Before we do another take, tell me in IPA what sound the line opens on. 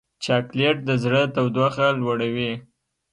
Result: t͡ʃ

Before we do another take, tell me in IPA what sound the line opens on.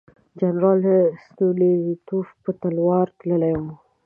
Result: d͡ʒ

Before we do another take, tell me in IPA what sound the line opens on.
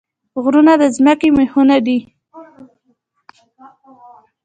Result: ɣ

